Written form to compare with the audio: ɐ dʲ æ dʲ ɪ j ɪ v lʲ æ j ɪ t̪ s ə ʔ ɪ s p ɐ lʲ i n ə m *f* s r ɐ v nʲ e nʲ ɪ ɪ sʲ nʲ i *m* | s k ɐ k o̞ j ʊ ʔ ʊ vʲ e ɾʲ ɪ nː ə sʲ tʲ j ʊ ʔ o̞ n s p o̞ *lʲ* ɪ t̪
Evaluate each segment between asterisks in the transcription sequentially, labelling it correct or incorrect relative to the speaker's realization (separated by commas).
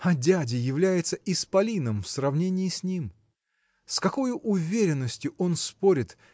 correct, correct, incorrect